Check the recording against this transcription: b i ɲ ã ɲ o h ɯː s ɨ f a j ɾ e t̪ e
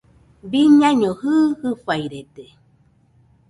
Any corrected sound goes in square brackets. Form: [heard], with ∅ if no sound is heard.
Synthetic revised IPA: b i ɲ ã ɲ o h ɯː [h] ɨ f a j ɾ e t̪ e